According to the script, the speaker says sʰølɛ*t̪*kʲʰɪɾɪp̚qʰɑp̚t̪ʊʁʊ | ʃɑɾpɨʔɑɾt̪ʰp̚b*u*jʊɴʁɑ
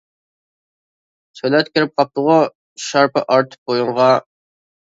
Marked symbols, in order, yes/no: yes, no

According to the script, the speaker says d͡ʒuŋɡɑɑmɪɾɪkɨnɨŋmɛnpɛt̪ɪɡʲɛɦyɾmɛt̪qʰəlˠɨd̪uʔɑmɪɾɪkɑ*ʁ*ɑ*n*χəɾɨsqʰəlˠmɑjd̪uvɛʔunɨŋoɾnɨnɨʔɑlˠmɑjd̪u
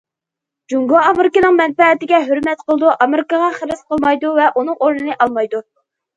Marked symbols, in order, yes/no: yes, no

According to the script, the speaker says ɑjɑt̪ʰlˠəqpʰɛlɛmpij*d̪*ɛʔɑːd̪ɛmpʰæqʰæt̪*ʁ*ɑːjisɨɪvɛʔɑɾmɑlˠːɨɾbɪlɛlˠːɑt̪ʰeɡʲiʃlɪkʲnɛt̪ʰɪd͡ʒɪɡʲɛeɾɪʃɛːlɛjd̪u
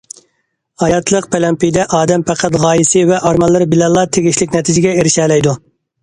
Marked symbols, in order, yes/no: yes, yes

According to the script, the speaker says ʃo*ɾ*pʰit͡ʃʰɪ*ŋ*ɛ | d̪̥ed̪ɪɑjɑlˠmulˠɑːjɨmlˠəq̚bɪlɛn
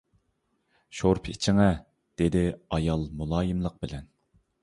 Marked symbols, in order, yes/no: yes, yes

